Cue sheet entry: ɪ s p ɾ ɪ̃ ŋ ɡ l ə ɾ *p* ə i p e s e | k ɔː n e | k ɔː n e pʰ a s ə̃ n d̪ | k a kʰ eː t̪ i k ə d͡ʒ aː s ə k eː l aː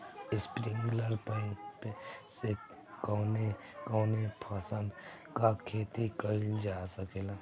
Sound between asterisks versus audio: correct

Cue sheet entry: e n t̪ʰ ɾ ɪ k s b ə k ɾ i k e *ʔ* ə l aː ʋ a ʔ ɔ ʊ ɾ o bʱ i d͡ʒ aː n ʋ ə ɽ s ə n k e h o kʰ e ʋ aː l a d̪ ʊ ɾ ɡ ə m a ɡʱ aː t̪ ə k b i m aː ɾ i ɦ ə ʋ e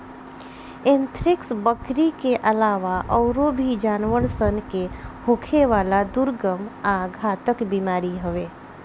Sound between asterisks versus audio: correct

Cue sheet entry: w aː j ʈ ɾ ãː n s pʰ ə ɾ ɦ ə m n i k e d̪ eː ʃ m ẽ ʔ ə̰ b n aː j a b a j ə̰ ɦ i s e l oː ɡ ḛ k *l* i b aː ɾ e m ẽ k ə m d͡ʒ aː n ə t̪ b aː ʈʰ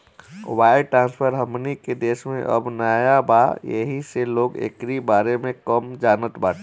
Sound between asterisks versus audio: incorrect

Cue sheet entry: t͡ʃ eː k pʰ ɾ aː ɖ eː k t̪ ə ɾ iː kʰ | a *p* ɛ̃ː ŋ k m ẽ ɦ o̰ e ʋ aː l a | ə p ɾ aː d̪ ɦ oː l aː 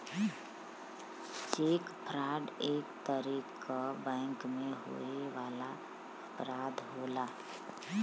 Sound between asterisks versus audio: incorrect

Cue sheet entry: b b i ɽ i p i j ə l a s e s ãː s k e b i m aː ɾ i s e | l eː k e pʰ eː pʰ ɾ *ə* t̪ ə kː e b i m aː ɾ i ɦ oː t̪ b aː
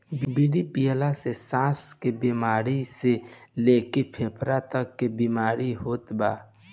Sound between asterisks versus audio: incorrect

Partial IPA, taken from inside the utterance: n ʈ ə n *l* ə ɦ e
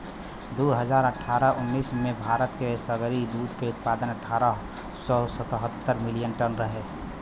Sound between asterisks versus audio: incorrect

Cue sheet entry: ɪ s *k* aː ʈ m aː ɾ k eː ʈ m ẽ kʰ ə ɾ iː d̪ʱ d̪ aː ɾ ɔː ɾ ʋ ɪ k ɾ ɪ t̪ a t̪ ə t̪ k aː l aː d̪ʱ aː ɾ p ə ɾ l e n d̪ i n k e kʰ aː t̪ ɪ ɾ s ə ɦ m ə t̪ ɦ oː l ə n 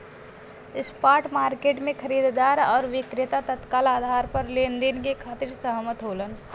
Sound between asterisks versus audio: incorrect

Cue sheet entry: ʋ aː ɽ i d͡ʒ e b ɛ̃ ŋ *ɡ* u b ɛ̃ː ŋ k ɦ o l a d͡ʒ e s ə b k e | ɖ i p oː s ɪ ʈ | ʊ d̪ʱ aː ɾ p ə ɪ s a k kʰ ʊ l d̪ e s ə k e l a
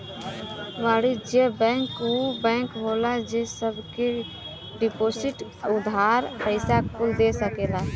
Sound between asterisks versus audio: incorrect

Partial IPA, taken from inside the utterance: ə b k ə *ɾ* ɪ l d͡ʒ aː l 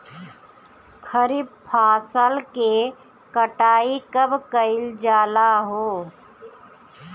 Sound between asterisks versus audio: incorrect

